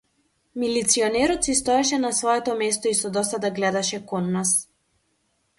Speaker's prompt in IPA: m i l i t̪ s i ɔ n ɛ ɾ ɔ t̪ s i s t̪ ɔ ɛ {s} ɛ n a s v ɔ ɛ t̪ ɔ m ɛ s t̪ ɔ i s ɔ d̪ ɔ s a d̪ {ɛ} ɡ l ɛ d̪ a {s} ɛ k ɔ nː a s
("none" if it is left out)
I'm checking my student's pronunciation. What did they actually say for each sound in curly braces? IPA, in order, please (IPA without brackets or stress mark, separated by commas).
ʃ, a, ʃ